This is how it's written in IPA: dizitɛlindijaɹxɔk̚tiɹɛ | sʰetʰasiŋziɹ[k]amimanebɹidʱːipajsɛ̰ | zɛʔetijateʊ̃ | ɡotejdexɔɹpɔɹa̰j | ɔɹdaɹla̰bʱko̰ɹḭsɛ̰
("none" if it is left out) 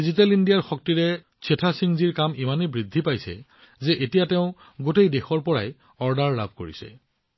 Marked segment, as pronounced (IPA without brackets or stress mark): k